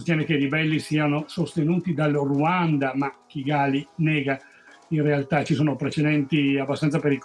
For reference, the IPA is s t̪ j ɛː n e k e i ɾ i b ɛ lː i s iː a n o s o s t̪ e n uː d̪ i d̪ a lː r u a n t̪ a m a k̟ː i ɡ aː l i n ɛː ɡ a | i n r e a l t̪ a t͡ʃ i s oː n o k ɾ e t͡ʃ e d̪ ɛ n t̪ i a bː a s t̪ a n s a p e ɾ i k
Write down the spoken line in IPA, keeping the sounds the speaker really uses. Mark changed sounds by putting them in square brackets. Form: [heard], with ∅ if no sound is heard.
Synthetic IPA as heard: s t̪ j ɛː n e k e i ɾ i b ɛ lː i s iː a n o s o s t̪ e n uː [t̪] i d̪ a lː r u a n [d̪] a m a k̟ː i ɡ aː l i n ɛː ɡ a | i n r e a l t̪ a t͡ʃ i s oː n o [p] ɾ e t͡ʃ e d̪ ɛ n t̪ i a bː a s t̪ a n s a p e ɾ i k